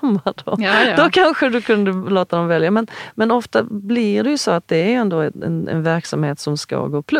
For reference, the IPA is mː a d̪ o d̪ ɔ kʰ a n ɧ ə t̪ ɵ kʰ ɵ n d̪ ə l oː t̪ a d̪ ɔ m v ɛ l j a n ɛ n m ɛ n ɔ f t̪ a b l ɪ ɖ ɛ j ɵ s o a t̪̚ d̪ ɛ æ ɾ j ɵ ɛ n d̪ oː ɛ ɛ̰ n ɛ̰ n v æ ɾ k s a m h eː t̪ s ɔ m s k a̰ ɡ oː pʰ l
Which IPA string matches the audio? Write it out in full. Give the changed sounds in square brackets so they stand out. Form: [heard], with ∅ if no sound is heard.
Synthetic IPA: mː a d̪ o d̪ ɔ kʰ a n ɧ ə [d̪] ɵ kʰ ɵ n d̪ ə l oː t̪ a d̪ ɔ m v ɛ l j a [m] ɛ n m ɛ n ɔ f t̪ a b l ɪ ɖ ɛ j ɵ s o a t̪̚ d̪ ɛ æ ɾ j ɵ ɛ n d̪ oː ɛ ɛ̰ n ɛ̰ n v æ ɾ k s a m h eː t̪ s ɔ m s k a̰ ɡ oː pʰ l